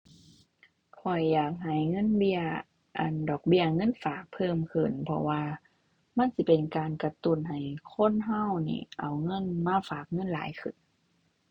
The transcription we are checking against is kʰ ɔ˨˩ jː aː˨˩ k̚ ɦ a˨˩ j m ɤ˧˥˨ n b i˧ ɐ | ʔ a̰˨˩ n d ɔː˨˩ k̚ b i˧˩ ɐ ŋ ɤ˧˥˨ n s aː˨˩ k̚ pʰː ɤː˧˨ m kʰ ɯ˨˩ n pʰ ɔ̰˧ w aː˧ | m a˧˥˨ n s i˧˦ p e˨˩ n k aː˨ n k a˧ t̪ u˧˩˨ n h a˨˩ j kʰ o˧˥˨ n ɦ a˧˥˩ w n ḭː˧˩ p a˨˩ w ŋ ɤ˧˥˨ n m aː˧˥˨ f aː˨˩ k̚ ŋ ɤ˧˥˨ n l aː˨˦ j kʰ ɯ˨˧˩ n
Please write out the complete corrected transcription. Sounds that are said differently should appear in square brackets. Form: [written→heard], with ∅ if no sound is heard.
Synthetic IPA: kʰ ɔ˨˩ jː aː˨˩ k̚ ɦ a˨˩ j [m→ŋ] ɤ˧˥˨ n b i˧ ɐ | ʔ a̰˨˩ n d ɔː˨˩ k̚ b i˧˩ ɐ ŋ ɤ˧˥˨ n [s→f] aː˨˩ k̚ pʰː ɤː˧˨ m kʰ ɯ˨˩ n pʰ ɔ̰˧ w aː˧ | m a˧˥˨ n s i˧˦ p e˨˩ n k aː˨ n k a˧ t̪ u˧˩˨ n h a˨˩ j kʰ o˧˥˨ n ɦ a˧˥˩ w n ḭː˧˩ [p→ʔ] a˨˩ w ŋ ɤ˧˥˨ n m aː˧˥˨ f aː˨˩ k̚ ŋ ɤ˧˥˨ n l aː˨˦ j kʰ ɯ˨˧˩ n